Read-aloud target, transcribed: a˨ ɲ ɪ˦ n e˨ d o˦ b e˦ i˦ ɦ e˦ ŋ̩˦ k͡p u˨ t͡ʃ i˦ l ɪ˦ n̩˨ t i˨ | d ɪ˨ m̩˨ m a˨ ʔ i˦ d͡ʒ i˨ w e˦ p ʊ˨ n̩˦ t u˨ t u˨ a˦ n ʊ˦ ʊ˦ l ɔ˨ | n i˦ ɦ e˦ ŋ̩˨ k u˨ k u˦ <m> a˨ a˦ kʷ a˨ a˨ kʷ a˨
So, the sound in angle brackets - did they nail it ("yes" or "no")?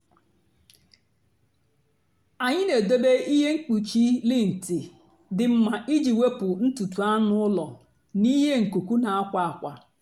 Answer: no